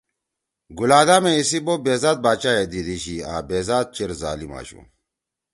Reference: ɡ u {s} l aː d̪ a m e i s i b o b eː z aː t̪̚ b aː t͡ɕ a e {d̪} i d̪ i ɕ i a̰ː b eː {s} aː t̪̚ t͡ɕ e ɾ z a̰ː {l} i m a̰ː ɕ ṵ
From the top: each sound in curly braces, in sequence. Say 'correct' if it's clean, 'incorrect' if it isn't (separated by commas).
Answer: incorrect, correct, incorrect, correct